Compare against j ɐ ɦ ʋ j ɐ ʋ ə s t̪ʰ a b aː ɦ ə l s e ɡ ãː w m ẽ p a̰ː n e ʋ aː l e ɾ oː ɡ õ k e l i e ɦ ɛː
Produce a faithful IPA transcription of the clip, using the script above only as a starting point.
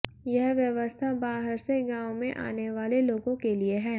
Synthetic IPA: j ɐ ɦ ʋ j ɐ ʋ ə s t̪ʰ a b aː ɦ ə ɾ s e ɡ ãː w m ẽ ʔ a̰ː n e ʋ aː l e l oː ɡ õ k e l i e ɦ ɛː